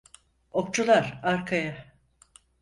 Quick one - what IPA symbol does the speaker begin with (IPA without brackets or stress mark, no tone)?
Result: o